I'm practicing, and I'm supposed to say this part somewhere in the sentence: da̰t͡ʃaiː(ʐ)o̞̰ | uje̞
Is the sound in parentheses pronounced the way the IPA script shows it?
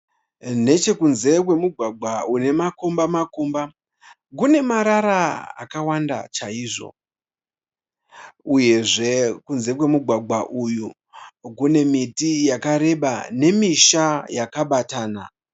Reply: yes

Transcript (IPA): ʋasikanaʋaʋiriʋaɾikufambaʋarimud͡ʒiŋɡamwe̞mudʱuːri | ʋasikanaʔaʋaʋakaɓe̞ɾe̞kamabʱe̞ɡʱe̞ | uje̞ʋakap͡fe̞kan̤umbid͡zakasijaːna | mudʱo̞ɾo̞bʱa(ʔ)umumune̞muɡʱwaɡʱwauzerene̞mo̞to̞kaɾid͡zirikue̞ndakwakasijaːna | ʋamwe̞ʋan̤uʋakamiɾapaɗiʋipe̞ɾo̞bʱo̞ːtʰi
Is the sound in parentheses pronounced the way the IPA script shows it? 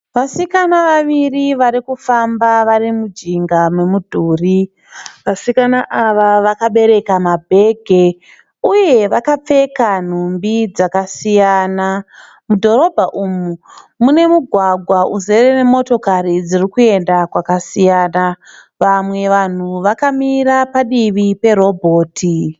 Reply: yes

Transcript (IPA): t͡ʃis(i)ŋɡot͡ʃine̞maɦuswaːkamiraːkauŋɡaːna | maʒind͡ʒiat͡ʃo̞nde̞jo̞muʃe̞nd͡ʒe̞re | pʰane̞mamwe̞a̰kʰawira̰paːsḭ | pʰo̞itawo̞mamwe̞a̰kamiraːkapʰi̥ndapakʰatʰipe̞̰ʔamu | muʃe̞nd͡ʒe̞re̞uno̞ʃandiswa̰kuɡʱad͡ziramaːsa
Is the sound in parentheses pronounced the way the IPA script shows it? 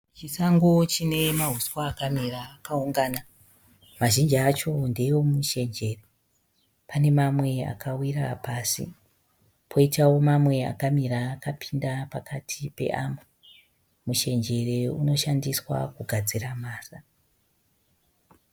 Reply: no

